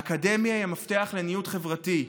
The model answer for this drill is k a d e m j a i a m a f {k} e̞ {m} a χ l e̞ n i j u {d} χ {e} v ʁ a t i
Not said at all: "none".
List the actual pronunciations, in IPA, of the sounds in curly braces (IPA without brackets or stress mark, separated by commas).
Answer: t, none, t, e